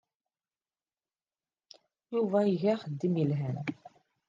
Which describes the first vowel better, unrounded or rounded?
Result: rounded